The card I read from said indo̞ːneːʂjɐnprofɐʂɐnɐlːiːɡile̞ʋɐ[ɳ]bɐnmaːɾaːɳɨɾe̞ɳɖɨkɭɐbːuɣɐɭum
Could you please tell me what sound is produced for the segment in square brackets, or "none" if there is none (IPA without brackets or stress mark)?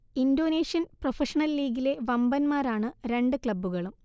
m